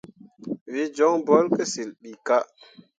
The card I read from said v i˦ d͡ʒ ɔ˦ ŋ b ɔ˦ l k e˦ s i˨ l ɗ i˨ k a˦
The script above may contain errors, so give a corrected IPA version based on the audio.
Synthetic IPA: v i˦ d͡ʒ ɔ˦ ŋ b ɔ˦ l k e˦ s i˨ l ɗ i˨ k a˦